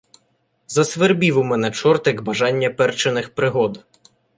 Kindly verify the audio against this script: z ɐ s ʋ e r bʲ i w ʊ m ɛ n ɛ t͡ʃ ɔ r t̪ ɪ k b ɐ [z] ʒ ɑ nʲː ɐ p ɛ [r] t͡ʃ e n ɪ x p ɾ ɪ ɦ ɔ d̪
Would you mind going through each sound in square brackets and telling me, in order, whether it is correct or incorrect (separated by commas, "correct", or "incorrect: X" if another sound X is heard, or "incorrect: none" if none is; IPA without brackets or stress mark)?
incorrect: none, correct